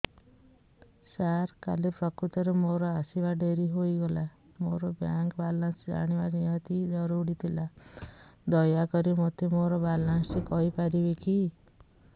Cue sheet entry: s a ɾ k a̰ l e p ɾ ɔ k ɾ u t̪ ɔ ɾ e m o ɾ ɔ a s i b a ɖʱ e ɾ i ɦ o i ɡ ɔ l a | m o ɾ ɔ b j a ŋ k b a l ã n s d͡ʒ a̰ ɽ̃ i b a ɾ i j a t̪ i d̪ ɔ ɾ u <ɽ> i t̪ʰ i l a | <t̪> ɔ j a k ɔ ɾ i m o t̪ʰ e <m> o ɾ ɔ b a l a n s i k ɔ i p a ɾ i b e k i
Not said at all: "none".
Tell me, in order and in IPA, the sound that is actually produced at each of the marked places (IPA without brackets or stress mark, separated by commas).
ɽ, d̪, m